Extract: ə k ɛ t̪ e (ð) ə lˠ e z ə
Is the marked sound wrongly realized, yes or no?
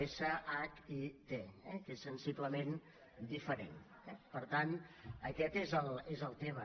yes